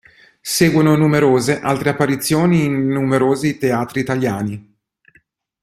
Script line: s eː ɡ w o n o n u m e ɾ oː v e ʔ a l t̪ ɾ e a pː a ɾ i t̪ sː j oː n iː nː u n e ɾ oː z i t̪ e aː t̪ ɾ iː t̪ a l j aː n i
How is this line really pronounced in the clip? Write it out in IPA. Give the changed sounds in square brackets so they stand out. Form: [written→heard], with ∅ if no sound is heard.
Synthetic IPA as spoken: s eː ɡ w o n o n u m e ɾ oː [v→z] e ʔ a l t̪ ɾ e a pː a ɾ i t̪ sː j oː n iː nː u [n→m] e ɾ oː z i t̪ e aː t̪ ɾ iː t̪ a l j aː n i